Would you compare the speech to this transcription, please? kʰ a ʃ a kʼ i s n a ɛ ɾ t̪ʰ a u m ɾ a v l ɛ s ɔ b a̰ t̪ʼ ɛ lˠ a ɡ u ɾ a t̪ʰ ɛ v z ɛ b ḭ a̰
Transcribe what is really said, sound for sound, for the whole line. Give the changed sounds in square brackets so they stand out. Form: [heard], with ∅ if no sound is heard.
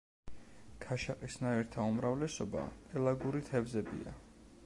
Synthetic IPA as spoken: kʰ a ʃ a [qʼ] i s n a ɛ ɾ t̪ʰ a u m ɾ a v l ɛ s ɔ b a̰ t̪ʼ ɛ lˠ a ɡ u ɾ [i] t̪ʰ ɛ v z ɛ b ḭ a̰